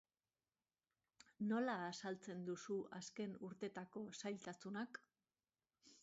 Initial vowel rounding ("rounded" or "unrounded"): rounded